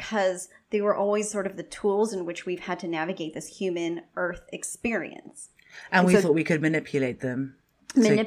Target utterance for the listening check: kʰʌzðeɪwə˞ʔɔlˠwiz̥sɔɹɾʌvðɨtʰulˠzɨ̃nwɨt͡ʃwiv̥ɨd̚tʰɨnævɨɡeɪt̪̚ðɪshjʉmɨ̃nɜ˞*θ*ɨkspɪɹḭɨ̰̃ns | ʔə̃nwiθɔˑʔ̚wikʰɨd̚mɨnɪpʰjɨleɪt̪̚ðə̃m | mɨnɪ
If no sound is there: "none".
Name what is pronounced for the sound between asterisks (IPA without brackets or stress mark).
θ